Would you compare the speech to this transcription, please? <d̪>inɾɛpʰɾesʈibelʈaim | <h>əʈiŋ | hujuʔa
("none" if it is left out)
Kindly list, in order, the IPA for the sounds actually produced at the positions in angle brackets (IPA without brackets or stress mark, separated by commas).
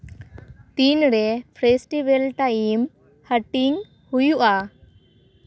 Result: t̪, h